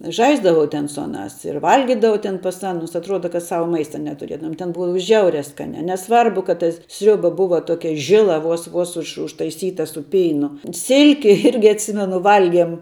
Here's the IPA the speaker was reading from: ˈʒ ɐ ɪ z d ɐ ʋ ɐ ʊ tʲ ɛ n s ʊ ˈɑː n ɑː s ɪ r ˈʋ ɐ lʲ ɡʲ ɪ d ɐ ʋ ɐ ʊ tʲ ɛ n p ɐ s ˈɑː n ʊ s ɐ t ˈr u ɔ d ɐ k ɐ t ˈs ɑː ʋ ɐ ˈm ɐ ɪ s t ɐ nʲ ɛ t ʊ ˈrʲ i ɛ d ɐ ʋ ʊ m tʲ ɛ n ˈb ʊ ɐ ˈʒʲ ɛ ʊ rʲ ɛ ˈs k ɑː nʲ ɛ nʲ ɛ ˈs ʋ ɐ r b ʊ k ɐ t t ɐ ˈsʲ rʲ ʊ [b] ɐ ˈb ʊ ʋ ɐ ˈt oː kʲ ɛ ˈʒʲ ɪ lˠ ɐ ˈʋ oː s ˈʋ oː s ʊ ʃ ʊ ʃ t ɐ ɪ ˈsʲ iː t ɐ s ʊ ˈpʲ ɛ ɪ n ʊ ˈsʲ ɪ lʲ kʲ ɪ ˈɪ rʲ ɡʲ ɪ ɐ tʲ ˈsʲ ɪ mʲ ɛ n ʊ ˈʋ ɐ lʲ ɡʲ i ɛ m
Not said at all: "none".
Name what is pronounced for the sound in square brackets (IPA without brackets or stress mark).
b